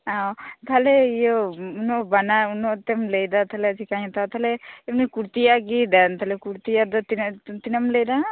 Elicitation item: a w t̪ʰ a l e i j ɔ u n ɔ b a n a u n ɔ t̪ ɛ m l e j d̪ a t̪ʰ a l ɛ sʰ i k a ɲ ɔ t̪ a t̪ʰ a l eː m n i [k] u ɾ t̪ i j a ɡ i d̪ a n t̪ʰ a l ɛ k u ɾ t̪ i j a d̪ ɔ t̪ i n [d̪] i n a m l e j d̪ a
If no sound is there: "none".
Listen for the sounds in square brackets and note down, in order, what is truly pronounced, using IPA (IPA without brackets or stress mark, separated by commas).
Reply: k, t̪